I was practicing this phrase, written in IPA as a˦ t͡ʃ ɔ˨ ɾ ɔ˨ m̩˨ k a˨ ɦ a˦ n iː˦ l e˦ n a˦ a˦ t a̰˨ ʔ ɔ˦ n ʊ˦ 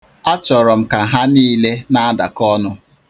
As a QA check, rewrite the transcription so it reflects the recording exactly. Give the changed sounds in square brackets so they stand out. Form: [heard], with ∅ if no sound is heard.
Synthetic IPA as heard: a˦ t͡ʃ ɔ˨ ɾ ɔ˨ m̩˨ k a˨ ɦ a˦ n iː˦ l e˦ n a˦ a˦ [d] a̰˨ [k] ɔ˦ n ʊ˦